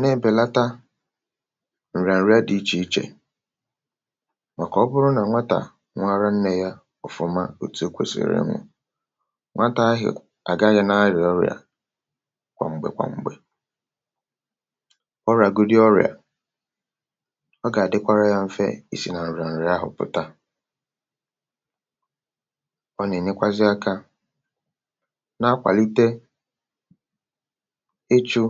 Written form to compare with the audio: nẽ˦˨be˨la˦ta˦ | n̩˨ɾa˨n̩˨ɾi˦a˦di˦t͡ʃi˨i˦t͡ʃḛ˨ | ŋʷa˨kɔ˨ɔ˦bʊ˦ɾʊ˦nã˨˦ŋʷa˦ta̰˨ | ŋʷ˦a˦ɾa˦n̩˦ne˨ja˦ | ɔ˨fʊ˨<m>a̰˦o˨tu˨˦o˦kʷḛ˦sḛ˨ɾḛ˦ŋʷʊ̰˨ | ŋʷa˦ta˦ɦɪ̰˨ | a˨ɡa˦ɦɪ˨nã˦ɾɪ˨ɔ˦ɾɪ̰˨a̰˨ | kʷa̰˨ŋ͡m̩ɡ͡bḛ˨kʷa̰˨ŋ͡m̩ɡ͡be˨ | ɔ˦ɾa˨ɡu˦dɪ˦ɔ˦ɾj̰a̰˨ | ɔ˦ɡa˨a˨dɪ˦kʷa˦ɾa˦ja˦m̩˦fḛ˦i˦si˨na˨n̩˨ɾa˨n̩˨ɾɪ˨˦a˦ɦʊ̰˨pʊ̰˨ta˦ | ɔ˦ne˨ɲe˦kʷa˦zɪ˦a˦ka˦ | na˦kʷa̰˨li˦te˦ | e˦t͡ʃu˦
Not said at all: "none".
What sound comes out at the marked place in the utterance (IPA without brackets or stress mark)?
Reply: m